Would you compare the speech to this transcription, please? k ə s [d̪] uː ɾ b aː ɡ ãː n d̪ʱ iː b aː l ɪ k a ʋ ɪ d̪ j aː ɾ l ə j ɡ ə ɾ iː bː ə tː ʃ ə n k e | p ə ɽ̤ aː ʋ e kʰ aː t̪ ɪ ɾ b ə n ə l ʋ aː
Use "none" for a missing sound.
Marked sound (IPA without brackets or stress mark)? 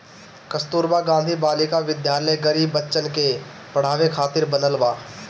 t̪